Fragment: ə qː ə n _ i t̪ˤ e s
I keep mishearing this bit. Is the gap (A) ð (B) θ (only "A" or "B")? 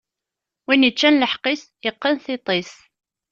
B